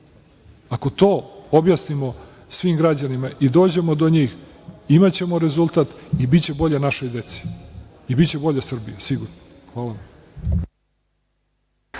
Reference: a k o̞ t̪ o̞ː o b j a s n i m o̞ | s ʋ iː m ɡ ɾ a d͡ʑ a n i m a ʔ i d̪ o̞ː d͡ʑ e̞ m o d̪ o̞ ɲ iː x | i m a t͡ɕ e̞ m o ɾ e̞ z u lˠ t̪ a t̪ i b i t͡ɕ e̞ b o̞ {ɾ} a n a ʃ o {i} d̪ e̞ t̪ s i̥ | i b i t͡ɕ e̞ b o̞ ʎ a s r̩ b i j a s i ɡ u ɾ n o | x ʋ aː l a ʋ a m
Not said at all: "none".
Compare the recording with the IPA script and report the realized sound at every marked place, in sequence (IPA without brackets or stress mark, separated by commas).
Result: ʎ, j